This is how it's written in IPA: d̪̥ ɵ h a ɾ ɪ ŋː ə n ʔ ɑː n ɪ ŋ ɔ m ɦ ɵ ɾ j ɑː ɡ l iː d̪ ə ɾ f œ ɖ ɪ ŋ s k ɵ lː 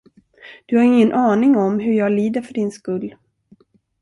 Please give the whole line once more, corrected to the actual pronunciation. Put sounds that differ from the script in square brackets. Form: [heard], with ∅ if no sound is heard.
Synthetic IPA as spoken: d̪̥ ɵ h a ɾ ɪ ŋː ə n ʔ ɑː n ɪ ŋ ɔ m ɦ ɵ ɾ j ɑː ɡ l iː d̪ ə ɾ f œ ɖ ɪ [n] s k ɵ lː